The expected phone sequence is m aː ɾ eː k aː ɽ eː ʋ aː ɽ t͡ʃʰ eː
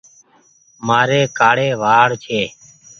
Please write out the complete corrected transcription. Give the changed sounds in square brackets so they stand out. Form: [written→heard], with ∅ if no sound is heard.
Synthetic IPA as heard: m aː ɾ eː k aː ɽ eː ʋ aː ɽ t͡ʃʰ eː